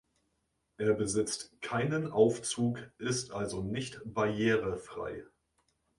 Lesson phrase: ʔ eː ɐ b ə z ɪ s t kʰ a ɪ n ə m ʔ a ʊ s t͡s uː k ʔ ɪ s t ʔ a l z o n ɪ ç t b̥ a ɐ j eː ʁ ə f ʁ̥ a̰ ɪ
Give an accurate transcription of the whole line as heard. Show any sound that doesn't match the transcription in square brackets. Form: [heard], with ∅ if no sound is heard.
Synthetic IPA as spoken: ʔ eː ɐ b ə z ɪ [t͡s] t kʰ a ɪ n ə [n] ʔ a ʊ [f] t͡s uː k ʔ ɪ s t ʔ a l z o n ɪ ç t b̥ a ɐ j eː ʁ ə f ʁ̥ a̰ ɪ